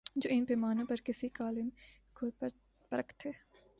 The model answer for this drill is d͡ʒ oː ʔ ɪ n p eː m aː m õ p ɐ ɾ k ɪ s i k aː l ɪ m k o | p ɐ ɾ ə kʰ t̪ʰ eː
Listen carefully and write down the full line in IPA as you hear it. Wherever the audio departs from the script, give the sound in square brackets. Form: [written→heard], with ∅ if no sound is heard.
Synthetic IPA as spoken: d͡ʒ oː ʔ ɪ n p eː m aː [m→n] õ p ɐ ɾ k ɪ s i k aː l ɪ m k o | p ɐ ɾ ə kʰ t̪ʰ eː

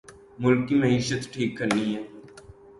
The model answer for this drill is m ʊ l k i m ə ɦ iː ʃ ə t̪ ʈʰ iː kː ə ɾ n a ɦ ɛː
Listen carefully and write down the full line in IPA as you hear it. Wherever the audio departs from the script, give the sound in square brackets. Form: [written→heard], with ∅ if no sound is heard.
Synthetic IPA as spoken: m ʊ l k i m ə ɦ iː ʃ ə t̪ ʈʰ iː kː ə ɾ n [a→i] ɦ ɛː

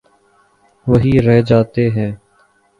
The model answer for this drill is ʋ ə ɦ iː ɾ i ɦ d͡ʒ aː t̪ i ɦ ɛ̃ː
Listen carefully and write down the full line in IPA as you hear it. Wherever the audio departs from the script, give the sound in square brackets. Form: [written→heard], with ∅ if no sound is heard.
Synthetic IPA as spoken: ʋ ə ɦ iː ɾ [i→ɛ] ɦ d͡ʒ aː t̪ [i→e] ɦ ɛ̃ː

